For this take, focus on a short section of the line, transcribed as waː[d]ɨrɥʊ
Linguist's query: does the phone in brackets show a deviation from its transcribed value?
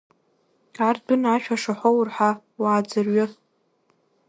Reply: yes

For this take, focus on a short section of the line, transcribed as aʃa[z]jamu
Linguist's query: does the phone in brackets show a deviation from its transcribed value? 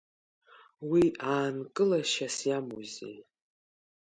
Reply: yes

